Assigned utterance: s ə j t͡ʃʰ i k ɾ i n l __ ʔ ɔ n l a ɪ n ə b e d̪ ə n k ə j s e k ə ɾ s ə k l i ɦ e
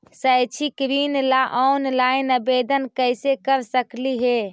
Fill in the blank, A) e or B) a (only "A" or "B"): B